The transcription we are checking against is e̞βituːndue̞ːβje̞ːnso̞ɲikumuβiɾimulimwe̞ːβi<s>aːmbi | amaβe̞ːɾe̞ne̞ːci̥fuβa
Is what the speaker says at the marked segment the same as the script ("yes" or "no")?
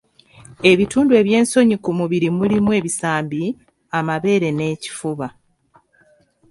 yes